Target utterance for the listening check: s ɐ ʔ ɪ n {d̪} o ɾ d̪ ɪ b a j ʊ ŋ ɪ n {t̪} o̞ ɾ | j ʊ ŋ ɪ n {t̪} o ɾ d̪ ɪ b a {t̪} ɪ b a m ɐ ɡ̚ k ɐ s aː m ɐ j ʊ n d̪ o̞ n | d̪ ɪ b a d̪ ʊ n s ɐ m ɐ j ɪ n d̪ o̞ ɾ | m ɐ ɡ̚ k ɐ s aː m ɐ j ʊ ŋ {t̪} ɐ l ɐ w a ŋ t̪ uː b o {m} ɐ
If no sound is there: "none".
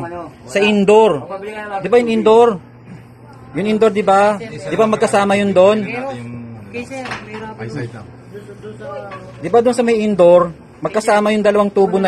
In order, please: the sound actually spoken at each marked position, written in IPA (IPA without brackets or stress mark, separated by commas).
d̪, d̪, d̪, d̪, d̪, n